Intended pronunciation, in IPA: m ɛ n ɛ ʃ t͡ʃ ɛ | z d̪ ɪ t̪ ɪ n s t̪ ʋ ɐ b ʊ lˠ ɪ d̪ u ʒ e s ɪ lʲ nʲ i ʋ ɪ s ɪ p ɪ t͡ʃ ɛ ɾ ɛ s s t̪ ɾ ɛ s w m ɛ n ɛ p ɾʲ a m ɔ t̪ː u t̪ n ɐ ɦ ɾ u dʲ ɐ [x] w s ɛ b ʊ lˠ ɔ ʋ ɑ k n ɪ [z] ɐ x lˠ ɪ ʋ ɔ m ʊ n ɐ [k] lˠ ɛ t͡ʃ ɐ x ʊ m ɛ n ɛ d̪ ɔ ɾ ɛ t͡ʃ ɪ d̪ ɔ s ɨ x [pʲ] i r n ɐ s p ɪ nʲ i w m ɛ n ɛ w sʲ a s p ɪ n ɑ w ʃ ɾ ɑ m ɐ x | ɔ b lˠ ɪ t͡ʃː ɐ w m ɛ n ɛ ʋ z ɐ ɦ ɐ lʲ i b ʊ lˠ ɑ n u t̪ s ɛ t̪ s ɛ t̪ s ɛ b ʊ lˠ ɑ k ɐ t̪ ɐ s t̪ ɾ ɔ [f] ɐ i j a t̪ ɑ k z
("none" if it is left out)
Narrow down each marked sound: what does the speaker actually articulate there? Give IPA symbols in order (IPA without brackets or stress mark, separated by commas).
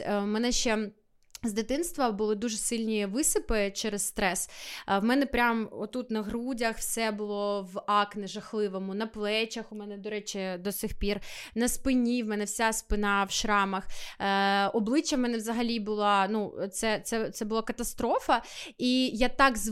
x, ʒ, p, pʲ, f